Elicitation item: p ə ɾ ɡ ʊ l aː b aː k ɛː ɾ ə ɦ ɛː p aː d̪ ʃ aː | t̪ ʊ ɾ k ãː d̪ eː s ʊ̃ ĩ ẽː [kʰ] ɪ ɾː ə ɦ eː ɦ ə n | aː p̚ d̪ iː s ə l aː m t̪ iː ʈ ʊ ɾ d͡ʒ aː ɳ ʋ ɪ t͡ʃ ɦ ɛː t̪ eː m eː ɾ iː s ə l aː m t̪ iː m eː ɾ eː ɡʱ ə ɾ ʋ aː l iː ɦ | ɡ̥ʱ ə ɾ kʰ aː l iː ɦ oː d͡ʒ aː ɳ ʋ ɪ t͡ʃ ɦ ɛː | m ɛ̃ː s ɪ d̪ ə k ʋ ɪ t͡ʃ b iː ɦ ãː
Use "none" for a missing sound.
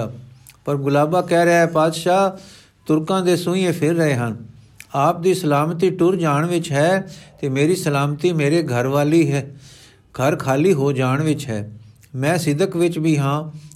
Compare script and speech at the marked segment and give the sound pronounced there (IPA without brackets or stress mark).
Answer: pʰ